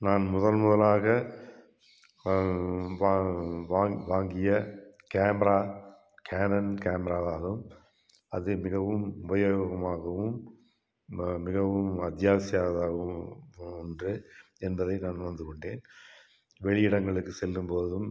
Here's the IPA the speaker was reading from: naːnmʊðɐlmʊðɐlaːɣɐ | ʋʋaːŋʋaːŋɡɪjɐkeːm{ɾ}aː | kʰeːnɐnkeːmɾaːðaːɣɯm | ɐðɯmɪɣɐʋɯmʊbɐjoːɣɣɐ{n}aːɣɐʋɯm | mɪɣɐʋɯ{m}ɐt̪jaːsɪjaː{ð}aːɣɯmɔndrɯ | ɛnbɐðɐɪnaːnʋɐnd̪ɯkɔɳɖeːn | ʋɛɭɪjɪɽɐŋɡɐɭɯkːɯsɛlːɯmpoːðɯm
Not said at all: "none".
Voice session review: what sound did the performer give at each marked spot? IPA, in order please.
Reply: ɾ, m, m, ð

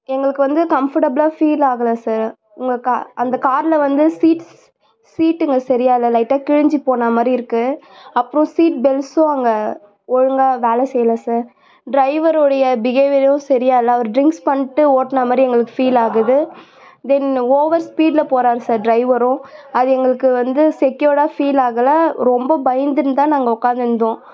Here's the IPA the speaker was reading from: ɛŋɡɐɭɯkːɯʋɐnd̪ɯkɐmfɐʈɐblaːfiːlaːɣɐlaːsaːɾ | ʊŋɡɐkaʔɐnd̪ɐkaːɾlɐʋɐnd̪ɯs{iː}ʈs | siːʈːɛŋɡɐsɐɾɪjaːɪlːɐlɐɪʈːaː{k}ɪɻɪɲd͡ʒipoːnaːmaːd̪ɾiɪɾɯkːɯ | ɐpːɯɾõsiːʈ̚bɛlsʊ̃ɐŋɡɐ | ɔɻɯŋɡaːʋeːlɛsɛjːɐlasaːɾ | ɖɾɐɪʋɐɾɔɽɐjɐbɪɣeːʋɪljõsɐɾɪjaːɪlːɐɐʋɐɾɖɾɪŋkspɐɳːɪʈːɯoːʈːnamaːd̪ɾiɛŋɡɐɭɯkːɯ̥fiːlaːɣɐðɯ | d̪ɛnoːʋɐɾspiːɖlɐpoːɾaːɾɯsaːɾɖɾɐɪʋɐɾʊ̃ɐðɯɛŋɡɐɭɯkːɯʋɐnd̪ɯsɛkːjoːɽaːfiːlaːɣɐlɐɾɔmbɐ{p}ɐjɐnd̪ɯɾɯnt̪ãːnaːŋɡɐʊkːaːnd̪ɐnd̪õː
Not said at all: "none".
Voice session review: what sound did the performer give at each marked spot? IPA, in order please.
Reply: iː, k, b

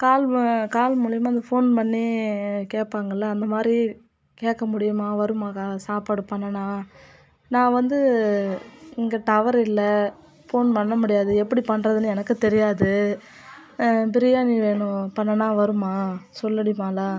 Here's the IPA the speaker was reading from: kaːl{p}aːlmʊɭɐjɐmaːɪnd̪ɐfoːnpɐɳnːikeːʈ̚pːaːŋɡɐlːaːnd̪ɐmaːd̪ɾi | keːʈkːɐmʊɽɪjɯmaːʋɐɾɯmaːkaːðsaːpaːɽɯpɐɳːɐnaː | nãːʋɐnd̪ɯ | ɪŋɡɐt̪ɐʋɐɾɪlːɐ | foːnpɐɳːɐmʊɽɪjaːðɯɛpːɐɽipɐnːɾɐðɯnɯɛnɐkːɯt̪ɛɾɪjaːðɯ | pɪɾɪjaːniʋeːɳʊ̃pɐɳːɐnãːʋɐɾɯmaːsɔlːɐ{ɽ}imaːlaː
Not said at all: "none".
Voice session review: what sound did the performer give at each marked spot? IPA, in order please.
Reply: k, ɽ

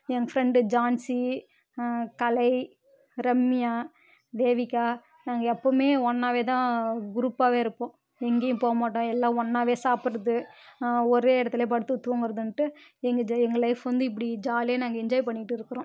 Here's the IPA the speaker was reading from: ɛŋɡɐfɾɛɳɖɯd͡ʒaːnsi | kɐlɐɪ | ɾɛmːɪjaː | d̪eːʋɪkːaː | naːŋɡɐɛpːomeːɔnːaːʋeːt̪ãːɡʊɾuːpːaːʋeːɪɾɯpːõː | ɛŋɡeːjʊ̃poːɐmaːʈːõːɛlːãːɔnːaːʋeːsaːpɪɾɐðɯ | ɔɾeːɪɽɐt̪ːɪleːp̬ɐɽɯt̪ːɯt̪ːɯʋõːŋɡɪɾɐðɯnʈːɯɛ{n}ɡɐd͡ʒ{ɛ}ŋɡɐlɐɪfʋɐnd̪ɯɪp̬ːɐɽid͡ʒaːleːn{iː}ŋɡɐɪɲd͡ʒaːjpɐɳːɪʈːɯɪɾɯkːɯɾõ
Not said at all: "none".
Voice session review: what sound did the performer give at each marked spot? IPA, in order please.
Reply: ŋ, ɛ, aː

